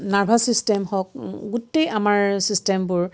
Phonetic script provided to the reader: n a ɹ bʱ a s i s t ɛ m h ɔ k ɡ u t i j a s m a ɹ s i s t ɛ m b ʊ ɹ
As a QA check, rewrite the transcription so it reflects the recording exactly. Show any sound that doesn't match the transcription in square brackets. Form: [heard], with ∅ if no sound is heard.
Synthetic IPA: n a ɹ bʱ a s i s t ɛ m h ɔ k ɡ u t [e] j a [∅] m a ɹ s i s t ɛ m b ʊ ɹ